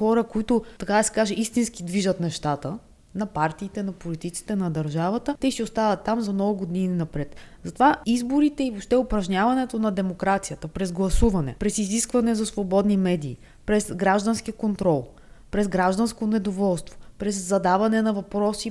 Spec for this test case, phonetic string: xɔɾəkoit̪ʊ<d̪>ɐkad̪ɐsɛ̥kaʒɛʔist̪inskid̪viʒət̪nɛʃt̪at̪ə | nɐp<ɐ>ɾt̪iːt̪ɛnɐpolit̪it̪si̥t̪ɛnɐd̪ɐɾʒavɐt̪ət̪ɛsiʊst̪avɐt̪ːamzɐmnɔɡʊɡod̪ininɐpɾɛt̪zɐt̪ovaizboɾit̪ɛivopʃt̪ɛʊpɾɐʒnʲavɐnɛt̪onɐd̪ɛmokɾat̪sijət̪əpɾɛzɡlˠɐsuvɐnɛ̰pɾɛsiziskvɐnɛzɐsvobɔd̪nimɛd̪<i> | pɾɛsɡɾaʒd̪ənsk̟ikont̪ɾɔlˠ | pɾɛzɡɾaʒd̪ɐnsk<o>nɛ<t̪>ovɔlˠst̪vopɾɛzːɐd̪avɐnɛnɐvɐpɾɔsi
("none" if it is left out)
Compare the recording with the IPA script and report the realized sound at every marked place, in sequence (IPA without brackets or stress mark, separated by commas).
t̪, a, iː, o, d̪